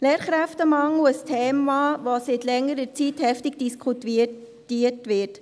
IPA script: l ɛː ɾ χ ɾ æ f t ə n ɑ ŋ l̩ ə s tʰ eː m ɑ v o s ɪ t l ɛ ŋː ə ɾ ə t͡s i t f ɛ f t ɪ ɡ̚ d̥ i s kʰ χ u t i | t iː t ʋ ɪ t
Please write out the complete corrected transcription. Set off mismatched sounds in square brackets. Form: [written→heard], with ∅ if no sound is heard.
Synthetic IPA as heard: l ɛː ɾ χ ɾ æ f t ə [n→m] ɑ ŋ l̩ ə s tʰ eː m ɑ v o s ɪ t l ɛ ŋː ə ɾ ə t͡s i t [f→h] ɛ f t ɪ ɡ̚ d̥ i s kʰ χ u t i | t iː t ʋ ɪ t